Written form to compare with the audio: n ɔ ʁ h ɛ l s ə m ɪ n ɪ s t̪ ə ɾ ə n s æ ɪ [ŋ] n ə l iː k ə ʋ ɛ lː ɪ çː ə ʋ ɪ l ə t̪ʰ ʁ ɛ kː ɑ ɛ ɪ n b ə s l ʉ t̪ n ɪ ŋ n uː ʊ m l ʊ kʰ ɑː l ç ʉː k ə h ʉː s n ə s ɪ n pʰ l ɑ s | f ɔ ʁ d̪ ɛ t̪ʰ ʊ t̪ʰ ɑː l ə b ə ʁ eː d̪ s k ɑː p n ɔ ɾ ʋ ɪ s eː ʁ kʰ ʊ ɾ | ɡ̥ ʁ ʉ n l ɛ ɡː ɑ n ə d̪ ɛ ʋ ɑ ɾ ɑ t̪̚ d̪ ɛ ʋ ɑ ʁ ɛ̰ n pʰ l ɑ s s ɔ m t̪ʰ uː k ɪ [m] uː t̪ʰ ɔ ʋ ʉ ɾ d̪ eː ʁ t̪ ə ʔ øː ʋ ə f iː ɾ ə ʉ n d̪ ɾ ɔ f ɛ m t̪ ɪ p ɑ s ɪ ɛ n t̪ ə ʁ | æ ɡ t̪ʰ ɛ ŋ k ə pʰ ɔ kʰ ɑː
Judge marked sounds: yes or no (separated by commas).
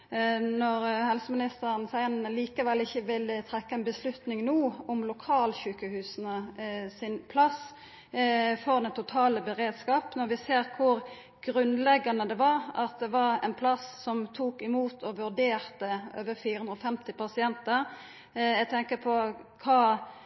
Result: no, yes